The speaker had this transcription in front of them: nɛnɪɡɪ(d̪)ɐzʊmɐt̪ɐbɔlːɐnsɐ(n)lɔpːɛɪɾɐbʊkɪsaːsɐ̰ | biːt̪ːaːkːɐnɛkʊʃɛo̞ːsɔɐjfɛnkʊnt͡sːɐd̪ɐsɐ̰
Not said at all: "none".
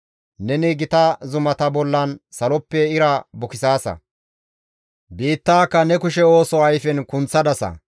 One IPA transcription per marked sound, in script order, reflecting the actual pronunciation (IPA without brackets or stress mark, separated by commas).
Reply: t̪, none